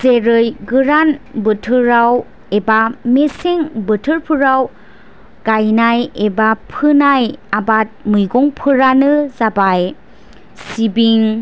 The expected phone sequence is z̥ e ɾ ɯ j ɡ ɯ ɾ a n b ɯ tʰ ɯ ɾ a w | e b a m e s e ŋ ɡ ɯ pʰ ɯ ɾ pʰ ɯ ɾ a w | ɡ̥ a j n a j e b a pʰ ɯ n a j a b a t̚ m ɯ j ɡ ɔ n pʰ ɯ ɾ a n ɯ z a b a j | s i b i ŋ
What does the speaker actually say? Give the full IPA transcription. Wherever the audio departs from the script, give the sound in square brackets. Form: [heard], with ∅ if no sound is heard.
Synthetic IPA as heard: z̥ e ɾ ɯ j ɡ ɯ ɾ a n b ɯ tʰ ɯ ɾ a w | e b a m e s e ŋ [b] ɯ [tʰ] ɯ ɾ pʰ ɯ ɾ a w | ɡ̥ a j n a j e b a pʰ ɯ n a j a b a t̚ m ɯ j ɡ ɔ [ŋ] pʰ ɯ ɾ a n ɯ z a b a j | s i b i ŋ

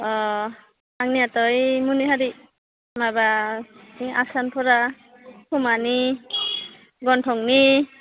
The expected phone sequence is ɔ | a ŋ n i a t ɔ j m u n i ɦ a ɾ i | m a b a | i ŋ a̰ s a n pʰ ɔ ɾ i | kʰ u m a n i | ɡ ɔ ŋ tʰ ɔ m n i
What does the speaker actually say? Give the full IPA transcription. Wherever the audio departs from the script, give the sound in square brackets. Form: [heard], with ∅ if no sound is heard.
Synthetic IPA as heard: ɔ | a ŋ n i a t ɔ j m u n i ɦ a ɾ i | m a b a | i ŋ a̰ s a n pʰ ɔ ɾ [a] | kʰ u m a n i | ɡ ɔ [n] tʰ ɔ [ŋ] n i

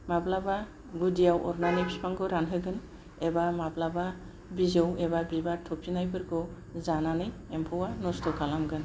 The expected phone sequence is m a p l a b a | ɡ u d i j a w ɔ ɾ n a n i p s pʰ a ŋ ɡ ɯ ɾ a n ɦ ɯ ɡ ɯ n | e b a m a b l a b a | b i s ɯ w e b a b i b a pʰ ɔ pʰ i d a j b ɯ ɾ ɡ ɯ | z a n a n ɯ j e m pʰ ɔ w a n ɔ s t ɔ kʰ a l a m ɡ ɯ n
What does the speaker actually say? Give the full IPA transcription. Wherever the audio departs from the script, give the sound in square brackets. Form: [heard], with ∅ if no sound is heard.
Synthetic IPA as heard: m a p l a b a | ɡ u d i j a w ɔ ɾ n a n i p s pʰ a ŋ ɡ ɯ ɾ a n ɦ ɯ ɡ ɯ n | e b a m a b l a b a | b i [z] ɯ w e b a b i b a [tʰ] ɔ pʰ i [n] a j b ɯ ɾ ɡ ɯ | z a n a n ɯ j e m pʰ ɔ w a n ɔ s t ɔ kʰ a l a m ɡ ɯ n

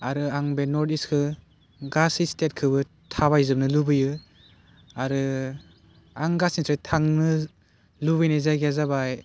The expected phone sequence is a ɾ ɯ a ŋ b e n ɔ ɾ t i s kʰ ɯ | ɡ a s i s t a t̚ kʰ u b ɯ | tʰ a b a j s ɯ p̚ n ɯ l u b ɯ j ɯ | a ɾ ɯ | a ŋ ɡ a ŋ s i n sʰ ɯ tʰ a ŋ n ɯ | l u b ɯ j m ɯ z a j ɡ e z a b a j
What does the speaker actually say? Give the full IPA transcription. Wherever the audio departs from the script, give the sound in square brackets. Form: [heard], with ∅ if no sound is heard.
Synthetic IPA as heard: a ɾ ɯ a ŋ b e n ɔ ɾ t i s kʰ ɯ | ɡ a s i s t [e] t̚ kʰ [ɯ] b ɯ | tʰ a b a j [z] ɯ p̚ n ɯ l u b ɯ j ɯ | a ɾ ɯ | a ŋ ɡ a [∅] s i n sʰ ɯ tʰ a ŋ n ɯ | l u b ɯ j [n] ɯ z a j ɡ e z a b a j

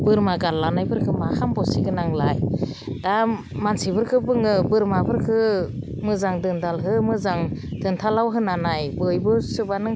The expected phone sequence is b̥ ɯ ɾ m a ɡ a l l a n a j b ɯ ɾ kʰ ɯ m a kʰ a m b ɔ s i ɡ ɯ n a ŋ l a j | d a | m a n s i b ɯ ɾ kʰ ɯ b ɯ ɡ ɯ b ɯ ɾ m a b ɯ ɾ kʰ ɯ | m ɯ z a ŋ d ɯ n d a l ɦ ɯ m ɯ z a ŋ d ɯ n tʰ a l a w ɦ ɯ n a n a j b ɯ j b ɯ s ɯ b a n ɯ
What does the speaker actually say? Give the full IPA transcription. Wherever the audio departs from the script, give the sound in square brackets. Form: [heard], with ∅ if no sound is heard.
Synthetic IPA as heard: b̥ ɯ ɾ m a ɡ a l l a n a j b ɯ ɾ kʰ ɯ m a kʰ a m b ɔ s i ɡ ɯ n a ŋ l a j | d a | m a n s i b ɯ ɾ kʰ ɯ b ɯ [ŋ] ɯ b ɯ ɾ m a b ɯ ɾ kʰ ɯ | m ɯ z a ŋ d ɯ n d a l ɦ ɯ m ɯ z a ŋ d ɯ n tʰ a l a w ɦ ɯ n a n a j b ɯ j b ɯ s ɯ b a n ɯ

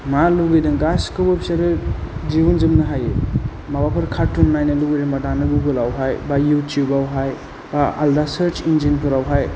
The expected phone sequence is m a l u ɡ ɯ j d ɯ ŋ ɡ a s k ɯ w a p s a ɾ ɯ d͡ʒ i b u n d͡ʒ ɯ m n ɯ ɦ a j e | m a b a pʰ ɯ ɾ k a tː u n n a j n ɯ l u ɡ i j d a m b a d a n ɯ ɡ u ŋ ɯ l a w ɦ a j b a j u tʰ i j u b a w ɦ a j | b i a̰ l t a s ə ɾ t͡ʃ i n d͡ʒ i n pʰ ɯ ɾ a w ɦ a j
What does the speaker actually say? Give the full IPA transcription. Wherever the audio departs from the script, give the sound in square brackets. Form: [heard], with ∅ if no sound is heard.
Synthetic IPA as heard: m a l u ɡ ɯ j d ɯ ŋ ɡ a s k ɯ w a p s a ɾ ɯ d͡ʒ i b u n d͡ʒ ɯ m n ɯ ɦ a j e | m a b a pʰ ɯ ɾ [kʰ] a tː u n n a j n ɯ l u ɡ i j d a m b a d a n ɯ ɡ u [ɡ] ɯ l a w ɦ a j b a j u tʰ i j u b a w ɦ a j | b [a] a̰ l [d] a s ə ɾ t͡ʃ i n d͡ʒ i n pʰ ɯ ɾ a w ɦ a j

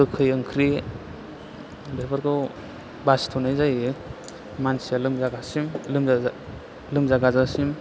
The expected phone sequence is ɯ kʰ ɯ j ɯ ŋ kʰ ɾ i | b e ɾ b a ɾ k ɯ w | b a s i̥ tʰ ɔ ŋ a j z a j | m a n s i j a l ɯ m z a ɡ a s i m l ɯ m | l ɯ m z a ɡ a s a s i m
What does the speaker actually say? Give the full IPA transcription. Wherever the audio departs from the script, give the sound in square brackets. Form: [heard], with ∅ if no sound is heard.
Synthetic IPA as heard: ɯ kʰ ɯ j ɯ ŋ kʰ ɾ i | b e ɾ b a ɾ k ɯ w | b a s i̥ tʰ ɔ [n] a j z a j | m a n s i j a l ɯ m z a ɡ a s i m l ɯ m | l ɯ m z a ɡ a [z] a s i m

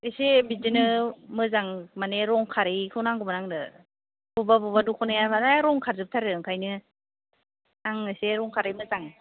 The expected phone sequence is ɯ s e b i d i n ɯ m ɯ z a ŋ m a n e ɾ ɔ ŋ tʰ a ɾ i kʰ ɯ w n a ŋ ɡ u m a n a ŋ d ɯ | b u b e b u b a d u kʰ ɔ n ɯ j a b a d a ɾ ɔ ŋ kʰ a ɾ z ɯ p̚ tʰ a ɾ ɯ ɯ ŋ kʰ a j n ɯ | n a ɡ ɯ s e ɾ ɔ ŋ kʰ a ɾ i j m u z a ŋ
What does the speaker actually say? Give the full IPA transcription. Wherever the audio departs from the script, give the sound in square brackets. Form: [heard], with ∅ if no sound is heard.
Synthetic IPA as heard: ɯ s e b i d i n ɯ m ɯ z a ŋ m a n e ɾ ɔ ŋ [kʰ] a ɾ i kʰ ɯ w n a ŋ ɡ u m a n a ŋ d ɯ | b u b [a] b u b a d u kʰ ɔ n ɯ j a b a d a ɾ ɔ ŋ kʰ a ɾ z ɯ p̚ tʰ a ɾ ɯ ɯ ŋ kʰ a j n ɯ | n a [ŋ] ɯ s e ɾ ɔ ŋ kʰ a ɾ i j m [ɯ] z a ŋ

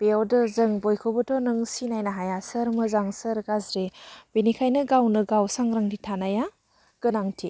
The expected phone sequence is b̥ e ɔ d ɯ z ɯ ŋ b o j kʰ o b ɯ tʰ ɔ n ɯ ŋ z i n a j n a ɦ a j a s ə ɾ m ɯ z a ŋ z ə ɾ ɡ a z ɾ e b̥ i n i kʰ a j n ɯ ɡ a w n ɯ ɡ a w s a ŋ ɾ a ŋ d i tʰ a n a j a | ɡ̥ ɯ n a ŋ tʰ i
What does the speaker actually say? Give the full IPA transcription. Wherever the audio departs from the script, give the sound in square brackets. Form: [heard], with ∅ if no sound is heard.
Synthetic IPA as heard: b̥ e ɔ d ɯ z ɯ ŋ b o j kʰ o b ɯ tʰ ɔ n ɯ ŋ [s] i n a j n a ɦ a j a s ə ɾ m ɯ z a ŋ [s] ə ɾ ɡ a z ɾ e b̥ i n i kʰ a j n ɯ ɡ a w n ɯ ɡ a w s a ŋ ɾ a ŋ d i tʰ a n a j a | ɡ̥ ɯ n a ŋ tʰ i

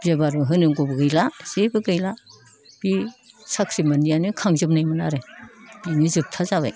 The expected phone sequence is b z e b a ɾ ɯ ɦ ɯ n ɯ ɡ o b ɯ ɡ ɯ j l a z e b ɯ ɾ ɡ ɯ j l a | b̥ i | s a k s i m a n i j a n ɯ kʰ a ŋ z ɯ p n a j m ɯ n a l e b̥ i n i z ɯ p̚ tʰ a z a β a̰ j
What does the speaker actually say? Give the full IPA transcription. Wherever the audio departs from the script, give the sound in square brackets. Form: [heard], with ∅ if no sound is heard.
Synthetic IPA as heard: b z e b a ɾ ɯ ɦ ɯ n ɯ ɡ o b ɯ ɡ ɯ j l a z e b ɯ [∅] ɡ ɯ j l a | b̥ i | s a k s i m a n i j a n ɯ kʰ a ŋ z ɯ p n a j m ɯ n a [ɾ] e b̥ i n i z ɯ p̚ tʰ a z a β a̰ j

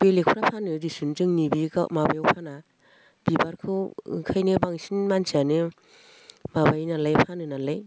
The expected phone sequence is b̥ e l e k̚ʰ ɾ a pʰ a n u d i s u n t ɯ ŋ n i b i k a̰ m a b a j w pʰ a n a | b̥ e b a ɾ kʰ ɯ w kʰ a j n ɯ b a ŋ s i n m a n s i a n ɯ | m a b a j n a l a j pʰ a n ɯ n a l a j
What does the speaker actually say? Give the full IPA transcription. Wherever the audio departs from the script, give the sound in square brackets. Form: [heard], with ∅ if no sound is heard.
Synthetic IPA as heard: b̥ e l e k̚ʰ ɾ a pʰ a n [ɯ] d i s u n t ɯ ŋ n i b i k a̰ m a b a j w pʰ a n a | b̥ [i] b a ɾ kʰ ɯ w kʰ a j n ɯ b a ŋ s i n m a n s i a n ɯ | m a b a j n a l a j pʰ a n ɯ n a l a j

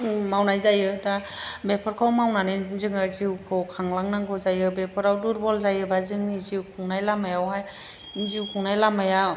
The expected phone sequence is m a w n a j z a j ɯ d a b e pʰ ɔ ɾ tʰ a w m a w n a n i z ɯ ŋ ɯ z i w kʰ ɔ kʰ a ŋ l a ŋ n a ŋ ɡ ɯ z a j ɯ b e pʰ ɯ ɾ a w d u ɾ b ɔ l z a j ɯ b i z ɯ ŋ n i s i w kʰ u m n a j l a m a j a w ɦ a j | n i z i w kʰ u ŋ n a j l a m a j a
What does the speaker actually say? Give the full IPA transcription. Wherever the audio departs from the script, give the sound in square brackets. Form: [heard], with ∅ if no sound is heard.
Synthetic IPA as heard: m a w n a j z a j ɯ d a b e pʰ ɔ ɾ [kʰ] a w m a w n a n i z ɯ ŋ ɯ z i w kʰ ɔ kʰ a ŋ l a ŋ n a ŋ ɡ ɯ z a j ɯ b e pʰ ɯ ɾ a w d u ɾ b ɔ l z a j ɯ b [a] z ɯ ŋ n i [z] i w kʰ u [ŋ] n a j l a m a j a w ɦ a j | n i z i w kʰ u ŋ n a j l a m a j a

